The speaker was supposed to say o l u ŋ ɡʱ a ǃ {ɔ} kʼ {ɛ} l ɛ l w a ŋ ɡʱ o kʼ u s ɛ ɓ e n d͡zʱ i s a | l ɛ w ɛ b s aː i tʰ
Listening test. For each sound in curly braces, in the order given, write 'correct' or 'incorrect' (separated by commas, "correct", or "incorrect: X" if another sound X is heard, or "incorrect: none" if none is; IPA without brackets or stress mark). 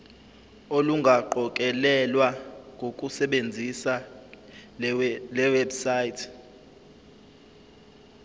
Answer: correct, correct